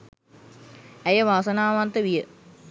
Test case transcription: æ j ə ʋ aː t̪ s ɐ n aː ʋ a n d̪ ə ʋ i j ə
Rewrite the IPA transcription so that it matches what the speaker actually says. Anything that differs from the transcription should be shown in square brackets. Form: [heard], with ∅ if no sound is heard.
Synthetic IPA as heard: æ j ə ʋ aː [∅] s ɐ n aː ʋ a n [t̪] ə ʋ i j ə